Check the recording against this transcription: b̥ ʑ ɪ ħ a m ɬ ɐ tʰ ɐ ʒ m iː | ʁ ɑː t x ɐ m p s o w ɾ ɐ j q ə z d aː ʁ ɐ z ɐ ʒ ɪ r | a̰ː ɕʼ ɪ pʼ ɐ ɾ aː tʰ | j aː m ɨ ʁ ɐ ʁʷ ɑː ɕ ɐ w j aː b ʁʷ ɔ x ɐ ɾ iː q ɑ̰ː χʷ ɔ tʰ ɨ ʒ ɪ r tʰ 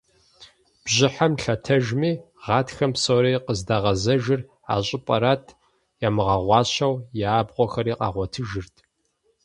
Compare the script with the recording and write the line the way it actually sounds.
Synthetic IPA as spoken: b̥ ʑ ɪ ħ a m ɬ ɐ tʰ ɐ ʒ m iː | ʁ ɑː t x ɐ m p s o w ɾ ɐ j q ə z d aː ʁ ɐ z ɐ ʒ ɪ r | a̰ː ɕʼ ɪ pʼ ɐ ɾ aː tʰ | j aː m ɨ ʁ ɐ ʁʷ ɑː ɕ ɐ w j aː b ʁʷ ɔ x ɐ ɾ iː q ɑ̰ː ʁʷ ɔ tʰ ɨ ʒ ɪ r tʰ